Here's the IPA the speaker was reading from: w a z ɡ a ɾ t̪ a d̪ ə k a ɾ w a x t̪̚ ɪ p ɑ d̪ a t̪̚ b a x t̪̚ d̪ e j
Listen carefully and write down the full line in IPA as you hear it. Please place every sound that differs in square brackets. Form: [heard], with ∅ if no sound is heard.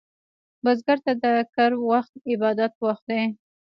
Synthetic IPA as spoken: [b] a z ɡ a ɾ t̪ a d̪ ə k a ɾ w a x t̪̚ ɪ [b] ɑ d̪ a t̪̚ [w] a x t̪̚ d̪ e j